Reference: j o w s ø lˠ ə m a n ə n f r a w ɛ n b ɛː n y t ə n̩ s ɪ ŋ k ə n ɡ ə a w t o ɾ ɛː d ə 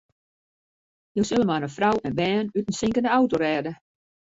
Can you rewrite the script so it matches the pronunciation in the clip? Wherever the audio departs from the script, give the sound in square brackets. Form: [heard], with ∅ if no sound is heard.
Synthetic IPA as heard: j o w s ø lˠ ə m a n ə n f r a w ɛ n b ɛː n y t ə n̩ s ɪ ŋ k ə n [d] ə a w t o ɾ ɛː d ə

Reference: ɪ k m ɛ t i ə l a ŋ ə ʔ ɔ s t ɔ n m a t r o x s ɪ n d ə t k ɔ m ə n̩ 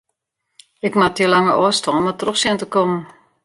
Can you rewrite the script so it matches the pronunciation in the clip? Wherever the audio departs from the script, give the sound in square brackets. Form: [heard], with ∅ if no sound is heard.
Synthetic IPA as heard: ɪ k m [a] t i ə l a ŋ ə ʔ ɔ s t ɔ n m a t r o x s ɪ n [t] ə [∅] k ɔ m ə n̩

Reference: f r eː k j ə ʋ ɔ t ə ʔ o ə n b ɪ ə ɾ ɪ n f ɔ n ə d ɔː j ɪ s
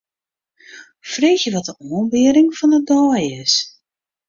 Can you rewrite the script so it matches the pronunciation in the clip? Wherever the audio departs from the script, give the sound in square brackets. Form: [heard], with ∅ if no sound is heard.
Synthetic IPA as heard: f r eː [x] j ə ʋ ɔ t ə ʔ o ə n b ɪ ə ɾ ɪ [ŋ] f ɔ n ə d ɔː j ɪ s

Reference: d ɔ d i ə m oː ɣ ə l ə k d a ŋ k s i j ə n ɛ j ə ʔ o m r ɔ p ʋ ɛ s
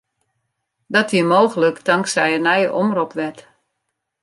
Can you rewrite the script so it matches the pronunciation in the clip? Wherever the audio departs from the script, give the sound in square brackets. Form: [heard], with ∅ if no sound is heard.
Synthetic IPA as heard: d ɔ [t] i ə m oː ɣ ə l ə k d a ŋ k s [ɛ] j ə n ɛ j ə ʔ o m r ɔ p ʋ ɛ [t]

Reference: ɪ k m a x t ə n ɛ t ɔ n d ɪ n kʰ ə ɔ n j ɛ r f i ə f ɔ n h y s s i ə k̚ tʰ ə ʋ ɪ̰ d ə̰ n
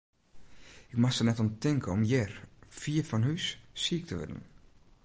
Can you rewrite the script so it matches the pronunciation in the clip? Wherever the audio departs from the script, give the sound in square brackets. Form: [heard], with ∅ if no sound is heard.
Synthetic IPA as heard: ɪ k m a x [s] ə n ɛ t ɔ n [t] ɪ [ŋ] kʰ ə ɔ [m] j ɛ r f i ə f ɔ n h y s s i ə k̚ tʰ ə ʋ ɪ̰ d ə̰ n

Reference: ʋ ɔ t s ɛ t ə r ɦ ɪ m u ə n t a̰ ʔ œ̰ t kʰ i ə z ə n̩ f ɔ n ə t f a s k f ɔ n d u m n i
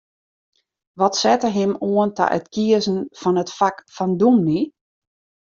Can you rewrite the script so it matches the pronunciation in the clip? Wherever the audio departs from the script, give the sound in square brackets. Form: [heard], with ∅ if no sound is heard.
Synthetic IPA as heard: ʋ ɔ t s ɛ t ə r ɦ ɪ m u ə n t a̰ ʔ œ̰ t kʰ i ə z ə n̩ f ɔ n ə t f a [∅] k f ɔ n d u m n i

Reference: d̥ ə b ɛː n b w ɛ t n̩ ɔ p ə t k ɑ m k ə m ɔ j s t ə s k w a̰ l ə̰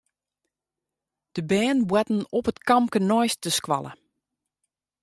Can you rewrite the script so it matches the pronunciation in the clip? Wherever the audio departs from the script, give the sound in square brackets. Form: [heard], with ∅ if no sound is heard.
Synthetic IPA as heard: d̥ ə b ɛː n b w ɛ t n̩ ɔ p ə t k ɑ m k ə [n] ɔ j s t ə s k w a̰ l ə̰

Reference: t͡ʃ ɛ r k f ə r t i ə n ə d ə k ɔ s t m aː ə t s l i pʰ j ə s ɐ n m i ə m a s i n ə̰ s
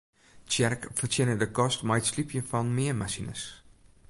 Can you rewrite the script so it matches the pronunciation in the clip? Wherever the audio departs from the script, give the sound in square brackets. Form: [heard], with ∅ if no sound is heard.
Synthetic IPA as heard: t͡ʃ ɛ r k f ə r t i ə n ə d ə k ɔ s t m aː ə t s l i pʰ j ə [f] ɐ n m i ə m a s i n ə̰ s

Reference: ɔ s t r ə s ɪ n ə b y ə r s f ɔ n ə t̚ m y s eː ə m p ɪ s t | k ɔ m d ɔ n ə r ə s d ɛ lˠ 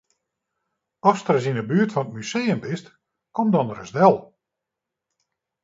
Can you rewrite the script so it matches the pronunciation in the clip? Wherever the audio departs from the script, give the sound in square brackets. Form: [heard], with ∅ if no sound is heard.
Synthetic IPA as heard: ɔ s t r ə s [i] n ə b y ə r [t] f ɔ n ə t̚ m y s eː ə m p ɪ s t | k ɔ m d ɔ n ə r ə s d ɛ lˠ

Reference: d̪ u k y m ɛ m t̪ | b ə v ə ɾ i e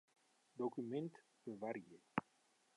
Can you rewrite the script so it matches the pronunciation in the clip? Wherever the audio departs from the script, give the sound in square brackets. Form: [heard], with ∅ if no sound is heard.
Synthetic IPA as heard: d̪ [o] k y m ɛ [n] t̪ | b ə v [a] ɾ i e

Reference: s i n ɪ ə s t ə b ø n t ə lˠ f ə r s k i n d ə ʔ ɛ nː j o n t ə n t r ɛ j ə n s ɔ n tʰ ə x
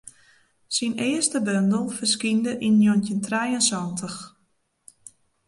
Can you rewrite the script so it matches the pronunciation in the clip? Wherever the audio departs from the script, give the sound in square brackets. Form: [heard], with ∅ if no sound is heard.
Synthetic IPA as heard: s i n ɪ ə s t ə b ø n [d] ə lˠ f ə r s k i n d ə ʔ [i] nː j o n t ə n t r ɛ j ə n s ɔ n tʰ ə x

